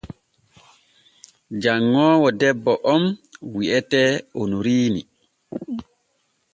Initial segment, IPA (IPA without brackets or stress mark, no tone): d͡ʒ